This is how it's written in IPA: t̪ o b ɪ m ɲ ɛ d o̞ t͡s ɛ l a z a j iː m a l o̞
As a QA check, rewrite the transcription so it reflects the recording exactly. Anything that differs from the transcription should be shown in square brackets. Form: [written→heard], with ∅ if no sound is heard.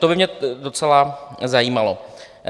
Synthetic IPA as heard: t̪ o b ɪ m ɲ ɛ d o̞ t͡s ɛ l a z a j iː m a l o̞